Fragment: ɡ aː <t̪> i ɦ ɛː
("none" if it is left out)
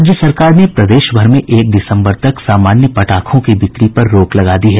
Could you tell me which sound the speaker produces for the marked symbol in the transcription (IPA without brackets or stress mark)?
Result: d̪